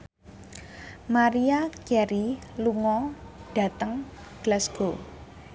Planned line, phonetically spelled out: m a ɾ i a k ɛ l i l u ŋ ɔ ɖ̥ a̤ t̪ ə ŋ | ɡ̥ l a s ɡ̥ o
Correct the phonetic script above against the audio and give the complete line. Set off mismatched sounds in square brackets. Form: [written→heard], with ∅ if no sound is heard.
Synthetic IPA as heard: m a ɾ i a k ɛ [l→ɾ] i l u ŋ ɔ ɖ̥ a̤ t̪ ə ŋ | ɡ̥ l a s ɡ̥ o

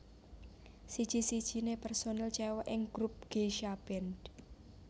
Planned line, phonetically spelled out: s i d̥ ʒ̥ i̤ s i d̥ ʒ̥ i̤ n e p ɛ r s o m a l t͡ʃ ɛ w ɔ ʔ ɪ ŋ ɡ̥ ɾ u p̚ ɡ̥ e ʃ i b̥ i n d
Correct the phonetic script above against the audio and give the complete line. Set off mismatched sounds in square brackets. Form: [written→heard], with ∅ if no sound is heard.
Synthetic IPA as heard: s i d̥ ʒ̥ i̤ s i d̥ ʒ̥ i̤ n e p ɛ r s o [m→n] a l t͡ʃ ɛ w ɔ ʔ ɪ ŋ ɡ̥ ɾ u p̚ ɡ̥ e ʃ [i→a] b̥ [i→ɛ] n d

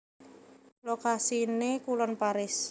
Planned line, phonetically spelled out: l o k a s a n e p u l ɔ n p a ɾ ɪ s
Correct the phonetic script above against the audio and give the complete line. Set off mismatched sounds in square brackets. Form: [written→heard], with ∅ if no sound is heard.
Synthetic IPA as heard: l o k a s [a→i] n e [p→k] u l ɔ n p a ɾ ɪ s

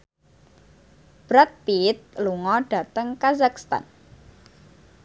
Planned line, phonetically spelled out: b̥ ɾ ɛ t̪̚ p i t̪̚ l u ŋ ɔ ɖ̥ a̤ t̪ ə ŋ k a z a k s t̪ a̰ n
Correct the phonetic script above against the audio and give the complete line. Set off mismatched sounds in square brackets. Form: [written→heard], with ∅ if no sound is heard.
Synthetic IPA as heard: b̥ ɾ [ɛ→a] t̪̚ p i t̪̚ l u ŋ ɔ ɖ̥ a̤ t̪ ə ŋ k a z a k s t̪ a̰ n

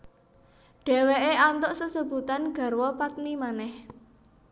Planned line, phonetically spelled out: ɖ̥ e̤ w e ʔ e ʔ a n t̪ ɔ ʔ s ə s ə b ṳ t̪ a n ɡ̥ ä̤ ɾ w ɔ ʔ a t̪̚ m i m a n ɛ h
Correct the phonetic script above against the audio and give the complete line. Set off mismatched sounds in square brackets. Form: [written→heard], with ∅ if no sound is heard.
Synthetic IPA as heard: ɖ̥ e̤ w e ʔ e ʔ a n t̪ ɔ ʔ s ə s ə b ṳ t̪ a n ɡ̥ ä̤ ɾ w ɔ [ʔ→p] a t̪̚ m i m a n ɛ h

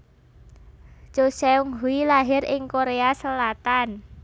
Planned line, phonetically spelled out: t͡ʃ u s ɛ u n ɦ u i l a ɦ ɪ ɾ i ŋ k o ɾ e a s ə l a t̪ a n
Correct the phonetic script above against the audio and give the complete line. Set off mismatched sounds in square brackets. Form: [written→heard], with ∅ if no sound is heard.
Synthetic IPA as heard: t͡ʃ [u→o] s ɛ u [n→ŋ] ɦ u i l a ɦ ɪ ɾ [i→ɪ] ŋ k o ɾ e a s ə l a t̪ a n

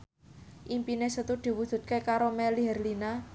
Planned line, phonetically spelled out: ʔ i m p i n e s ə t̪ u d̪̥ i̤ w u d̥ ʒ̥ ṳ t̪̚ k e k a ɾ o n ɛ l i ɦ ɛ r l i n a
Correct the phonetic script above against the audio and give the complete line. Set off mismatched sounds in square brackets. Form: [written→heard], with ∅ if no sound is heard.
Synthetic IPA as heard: ʔ i m p i n e s ə t̪ u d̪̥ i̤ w u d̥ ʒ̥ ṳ t̪̚ k e k a ɾ o [n→m] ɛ l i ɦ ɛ r l i n a

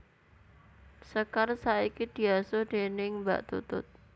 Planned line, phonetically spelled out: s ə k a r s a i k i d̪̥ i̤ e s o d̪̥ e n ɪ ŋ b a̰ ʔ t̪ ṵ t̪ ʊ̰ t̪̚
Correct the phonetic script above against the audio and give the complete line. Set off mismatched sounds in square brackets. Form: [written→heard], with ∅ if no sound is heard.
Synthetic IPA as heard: s ə k a r s a i k i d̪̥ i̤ [e→a] s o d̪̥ e n ɪ ŋ b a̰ ʔ t̪ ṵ t̪ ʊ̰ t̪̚

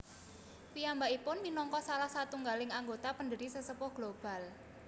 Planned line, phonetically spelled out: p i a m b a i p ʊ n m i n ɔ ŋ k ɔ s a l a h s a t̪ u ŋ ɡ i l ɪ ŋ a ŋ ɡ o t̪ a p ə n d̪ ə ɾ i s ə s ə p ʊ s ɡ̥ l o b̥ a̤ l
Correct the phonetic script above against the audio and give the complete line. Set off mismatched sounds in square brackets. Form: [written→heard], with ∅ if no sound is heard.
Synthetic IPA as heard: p i a m b a i p ʊ n m i n ɔ ŋ k ɔ s a l a h s a t̪ u ŋ ɡ [i→a] l ɪ ŋ a ŋ ɡ o t̪ a p ə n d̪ ə ɾ i s ə s ə p ʊ [s→h] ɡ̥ l o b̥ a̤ l

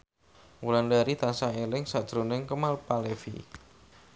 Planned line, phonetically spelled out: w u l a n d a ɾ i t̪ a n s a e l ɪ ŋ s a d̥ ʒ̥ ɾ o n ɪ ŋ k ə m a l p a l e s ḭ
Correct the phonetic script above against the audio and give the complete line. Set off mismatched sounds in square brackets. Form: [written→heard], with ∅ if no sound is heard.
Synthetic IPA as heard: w u l a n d a ɾ i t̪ a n s a e l ɪ ŋ s a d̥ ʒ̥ ɾ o n ɪ ŋ k ə m a l p a l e [s→f] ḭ

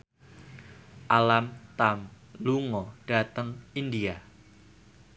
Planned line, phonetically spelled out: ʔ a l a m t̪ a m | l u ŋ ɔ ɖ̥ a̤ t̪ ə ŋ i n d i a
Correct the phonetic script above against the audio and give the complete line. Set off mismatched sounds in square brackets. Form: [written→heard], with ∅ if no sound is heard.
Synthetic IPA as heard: ʔ a l a m t̪ a m | l u ŋ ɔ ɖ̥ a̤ t̪ ə ŋ i n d i a

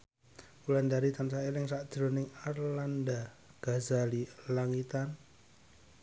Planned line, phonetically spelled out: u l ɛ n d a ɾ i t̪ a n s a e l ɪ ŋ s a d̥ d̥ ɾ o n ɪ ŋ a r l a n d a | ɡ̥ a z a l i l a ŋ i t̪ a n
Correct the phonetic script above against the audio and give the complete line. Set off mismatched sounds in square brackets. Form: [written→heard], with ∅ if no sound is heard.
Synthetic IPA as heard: u l [ɛ→a] n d a ɾ i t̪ a n s a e l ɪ ŋ s a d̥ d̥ ɾ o n ɪ ŋ a r l a n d a | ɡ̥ a z a l i l a ŋ i t̪ a n

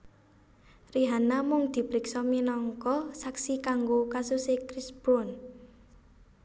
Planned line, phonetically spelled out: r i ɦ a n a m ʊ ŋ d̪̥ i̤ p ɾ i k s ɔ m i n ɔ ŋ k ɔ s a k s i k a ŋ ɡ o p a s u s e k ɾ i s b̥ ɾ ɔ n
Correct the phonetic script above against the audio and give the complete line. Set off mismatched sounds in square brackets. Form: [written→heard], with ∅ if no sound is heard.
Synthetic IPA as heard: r i ɦ a n a m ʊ ŋ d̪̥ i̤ p ɾ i k s ɔ m i n ɔ ŋ k ɔ s a k s i k a ŋ ɡ o [p→k] a s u s e k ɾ i s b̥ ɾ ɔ n

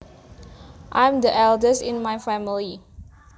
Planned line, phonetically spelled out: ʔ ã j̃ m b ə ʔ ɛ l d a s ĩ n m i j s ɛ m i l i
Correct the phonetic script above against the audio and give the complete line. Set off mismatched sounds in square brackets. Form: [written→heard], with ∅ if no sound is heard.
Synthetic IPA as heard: ʔ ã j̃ m [b→d] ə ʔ ɛ l d [a→ə] s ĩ n m [i→a] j [s→f] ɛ m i l i

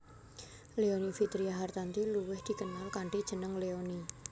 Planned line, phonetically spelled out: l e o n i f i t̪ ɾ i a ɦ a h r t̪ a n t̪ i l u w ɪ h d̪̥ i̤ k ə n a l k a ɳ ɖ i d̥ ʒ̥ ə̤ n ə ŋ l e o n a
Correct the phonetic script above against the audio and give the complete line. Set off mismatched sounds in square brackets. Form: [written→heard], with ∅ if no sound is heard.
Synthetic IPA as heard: l e o n i f i t̪ ɾ i a ɦ a [h→∅] r t̪ a n t̪ i l u w ɪ h d̪̥ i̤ k ə n a l k a ɳ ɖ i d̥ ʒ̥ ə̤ n ə ŋ l e o n [a→i]

